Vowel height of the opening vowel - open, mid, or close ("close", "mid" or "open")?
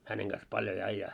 open